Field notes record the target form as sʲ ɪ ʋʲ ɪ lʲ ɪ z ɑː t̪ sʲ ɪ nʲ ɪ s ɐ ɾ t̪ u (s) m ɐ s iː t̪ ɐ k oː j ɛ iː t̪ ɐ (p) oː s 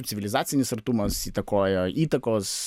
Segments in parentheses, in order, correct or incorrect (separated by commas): incorrect, incorrect